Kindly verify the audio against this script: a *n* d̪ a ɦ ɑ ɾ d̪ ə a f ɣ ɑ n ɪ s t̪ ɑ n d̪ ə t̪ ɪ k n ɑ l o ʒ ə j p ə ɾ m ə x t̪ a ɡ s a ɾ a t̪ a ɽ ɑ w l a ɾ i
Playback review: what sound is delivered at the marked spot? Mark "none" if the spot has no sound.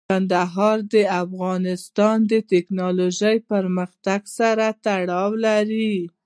n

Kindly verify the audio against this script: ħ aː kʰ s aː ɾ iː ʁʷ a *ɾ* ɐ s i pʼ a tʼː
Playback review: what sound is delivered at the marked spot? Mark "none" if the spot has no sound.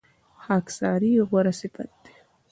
ɾ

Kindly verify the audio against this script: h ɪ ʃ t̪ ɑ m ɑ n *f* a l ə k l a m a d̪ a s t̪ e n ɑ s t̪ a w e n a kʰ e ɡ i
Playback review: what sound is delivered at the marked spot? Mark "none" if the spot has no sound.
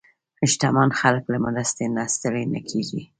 x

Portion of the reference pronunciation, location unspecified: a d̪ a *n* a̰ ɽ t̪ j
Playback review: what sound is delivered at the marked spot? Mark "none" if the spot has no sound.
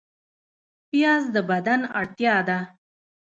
n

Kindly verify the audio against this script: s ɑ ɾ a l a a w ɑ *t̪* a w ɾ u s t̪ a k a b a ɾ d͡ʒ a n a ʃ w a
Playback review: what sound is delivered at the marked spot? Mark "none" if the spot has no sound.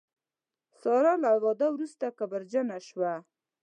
d̪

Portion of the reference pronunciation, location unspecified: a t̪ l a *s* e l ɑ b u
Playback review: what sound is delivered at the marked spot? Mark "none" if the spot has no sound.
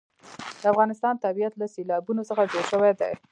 s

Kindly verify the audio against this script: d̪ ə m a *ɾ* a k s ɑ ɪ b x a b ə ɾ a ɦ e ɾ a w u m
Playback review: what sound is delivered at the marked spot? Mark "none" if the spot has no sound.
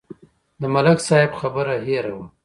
l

